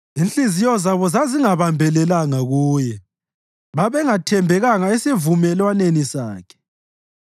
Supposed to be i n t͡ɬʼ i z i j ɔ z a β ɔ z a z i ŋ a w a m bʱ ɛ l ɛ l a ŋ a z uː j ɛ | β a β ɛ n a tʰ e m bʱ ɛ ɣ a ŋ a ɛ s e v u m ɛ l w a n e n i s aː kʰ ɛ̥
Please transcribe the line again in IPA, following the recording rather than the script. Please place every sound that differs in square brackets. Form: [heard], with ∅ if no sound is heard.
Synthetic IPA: i n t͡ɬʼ i z i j ɔ z a β ɔ z a z i ŋ a [β] a m bʱ ɛ l ɛ l a ŋ a [ɣ] uː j ɛ | β a β ɛ [ŋ] a tʰ [ɛ] m bʱ ɛ ɣ a ŋ a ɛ s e v u m ɛ l w a n e n i s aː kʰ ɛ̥